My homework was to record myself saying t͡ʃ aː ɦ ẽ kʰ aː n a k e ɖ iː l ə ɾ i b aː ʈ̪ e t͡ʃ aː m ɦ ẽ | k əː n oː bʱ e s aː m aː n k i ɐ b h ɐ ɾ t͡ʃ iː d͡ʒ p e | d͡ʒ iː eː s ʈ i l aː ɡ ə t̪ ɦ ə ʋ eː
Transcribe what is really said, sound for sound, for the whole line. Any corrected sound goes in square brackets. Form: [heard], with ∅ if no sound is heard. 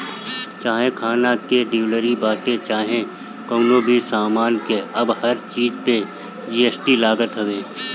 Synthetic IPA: t͡ʃ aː ɦ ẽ kʰ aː n a k e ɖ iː l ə ɾ i b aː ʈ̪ e t͡ʃ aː [∅] ɦ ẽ | k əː n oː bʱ [i] s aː m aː n k [e] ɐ b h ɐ ɾ t͡ʃ iː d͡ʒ p e | d͡ʒ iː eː s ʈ i l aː ɡ ə t̪ ɦ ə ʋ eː